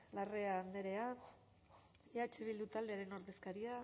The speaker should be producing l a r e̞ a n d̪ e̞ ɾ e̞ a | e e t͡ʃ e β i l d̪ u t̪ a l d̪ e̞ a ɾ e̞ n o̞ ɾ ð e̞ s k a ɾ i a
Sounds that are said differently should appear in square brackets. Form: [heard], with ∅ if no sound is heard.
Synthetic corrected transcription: l a r e̞ a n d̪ e̞ ɾ e̞ a | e [a] t͡ʃ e β i l d̪ u t̪ a l d̪ e̞ a ɾ e̞ n o̞ ɾ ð e̞ s k a ɾ i a